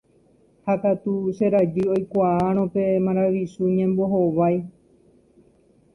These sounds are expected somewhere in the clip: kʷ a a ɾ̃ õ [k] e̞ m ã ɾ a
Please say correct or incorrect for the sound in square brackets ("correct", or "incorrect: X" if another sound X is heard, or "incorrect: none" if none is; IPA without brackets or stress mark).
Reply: incorrect: p